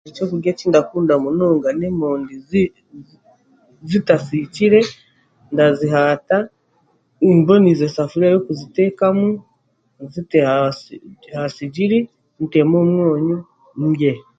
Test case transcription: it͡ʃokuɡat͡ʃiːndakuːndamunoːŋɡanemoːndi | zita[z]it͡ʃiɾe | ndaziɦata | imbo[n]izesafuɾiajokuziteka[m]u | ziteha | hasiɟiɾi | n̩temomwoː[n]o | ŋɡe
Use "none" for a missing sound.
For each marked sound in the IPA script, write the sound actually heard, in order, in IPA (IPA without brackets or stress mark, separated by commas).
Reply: s, n, m, ɲ